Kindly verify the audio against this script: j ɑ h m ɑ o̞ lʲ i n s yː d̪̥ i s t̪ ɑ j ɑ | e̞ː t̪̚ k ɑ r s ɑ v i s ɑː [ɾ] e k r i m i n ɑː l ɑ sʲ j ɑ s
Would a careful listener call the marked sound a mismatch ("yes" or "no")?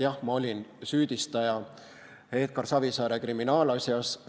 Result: no